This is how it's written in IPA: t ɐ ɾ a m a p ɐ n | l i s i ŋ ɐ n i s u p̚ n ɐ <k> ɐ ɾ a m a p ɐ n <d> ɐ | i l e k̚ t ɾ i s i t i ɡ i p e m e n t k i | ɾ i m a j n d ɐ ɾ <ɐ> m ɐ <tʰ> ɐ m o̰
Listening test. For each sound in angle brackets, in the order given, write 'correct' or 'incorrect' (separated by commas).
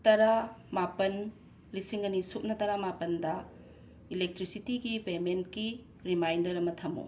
incorrect, correct, correct, correct